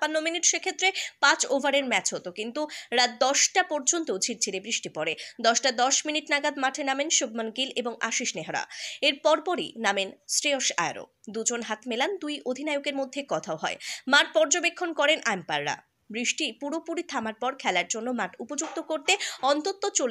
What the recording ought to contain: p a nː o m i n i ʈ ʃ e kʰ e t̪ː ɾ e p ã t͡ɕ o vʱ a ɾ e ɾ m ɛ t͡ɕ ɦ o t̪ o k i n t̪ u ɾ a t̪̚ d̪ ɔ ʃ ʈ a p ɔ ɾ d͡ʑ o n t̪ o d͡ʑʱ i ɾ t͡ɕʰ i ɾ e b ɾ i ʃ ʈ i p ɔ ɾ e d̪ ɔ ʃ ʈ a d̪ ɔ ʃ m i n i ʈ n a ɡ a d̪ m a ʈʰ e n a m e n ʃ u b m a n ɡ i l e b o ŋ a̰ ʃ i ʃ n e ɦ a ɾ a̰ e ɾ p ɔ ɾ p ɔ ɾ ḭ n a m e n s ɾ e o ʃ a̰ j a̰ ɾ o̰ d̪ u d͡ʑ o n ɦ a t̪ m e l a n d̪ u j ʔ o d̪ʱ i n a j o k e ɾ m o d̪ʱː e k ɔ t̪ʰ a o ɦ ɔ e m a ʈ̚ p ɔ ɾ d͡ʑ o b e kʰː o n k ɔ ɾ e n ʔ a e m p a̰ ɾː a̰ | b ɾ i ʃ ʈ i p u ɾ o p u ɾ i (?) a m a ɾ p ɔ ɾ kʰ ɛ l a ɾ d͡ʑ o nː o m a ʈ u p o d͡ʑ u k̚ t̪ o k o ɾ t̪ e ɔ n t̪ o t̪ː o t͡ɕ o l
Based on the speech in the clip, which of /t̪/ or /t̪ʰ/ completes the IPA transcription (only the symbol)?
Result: t̪ʰ